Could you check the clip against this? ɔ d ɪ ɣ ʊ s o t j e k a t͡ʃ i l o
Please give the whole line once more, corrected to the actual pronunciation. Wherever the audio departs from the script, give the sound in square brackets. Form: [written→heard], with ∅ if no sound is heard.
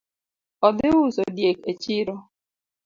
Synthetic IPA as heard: ɔ d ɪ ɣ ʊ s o [t→d] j e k [a→e] t͡ʃ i [l→ɾ] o